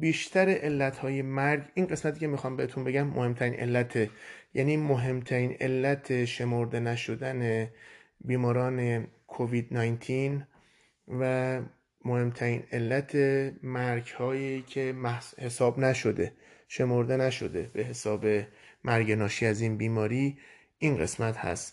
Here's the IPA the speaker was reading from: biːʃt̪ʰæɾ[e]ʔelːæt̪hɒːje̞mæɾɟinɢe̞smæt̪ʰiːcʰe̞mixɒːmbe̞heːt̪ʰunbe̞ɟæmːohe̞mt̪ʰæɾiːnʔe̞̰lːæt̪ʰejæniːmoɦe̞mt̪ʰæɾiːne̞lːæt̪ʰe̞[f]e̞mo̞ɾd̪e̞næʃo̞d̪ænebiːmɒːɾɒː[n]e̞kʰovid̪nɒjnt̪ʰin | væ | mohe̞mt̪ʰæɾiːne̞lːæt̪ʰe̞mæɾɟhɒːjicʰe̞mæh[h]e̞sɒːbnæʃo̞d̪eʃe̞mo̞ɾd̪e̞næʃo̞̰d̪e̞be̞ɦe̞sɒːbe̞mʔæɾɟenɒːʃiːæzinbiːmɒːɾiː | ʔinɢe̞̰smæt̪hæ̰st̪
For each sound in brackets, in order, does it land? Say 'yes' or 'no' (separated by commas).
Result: yes, no, yes, yes